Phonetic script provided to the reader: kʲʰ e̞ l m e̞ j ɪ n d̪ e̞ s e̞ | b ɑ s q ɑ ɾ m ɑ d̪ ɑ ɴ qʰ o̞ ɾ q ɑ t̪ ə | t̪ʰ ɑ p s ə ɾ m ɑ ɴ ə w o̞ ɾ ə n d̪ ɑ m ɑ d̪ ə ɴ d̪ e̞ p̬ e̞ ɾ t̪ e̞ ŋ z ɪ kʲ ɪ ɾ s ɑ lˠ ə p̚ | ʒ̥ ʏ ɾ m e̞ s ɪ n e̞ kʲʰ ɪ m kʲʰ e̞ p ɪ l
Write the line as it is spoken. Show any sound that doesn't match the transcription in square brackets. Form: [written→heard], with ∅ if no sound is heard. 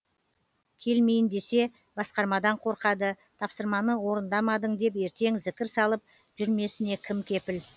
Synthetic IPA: kʲʰ e̞ l m e̞ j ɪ n d̪ e̞ s e̞ | b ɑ s q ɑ ɾ m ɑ d̪ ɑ ɴ qʰ o̞ ɾ q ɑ [t̪→d̪] ə | t̪ʰ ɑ p s ə ɾ m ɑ [ɴ→n] ə w o̞ ɾ ə n d̪ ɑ m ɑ d̪ ə ɴ d̪ e̞ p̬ e̞ ɾ t̪ e̞ ŋ z ɪ kʲ ɪ ɾ s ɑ lˠ ə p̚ | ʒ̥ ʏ ɾ m e̞ s ɪ n e̞ kʲʰ ɪ m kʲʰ e̞ p ɪ l